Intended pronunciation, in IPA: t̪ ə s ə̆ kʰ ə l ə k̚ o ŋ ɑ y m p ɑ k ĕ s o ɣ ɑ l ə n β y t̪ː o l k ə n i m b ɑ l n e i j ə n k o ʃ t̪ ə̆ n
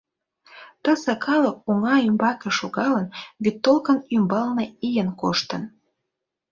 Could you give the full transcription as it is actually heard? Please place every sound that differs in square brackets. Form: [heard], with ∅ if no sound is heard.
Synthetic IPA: t̪ ə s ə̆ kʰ [ɑ] l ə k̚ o ŋ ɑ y m [b] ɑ k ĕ [ʃ] o ɣ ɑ l ə n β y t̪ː o l k ə n [y] m b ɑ l n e i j ə n k o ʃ t̪ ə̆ n